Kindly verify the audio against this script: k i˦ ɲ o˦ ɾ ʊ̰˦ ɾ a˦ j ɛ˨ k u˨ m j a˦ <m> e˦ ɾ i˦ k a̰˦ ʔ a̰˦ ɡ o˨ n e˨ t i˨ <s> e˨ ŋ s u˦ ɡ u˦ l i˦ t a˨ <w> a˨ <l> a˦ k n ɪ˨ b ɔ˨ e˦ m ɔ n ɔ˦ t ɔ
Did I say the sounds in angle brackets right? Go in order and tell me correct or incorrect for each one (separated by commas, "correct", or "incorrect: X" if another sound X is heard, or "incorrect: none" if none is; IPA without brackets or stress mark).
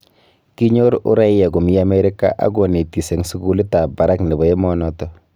correct, correct, incorrect: b, incorrect: ɾ